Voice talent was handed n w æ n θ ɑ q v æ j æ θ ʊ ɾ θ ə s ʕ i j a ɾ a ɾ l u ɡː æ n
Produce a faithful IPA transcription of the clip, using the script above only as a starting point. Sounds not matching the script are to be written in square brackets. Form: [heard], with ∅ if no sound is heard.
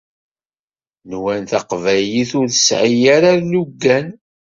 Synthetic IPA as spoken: n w æ n θ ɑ q v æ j [i] θ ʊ ɾ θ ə s ʕ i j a ɾ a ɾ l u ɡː æ n

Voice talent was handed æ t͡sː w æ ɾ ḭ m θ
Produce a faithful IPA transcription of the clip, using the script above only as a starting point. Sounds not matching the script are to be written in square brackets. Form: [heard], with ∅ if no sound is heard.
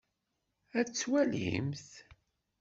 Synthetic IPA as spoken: æ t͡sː w æ [l] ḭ m θ

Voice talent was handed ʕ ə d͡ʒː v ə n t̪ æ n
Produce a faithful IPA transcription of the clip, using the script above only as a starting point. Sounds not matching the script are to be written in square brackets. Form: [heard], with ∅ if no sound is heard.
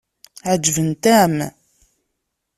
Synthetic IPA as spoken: ʕ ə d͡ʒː v ə n t̪ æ [m]

